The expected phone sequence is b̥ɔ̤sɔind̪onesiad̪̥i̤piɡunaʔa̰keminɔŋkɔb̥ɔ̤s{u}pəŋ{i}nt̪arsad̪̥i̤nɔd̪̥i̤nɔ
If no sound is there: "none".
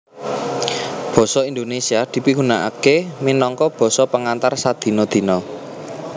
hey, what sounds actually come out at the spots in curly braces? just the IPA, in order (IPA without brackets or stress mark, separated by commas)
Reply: ɔ, a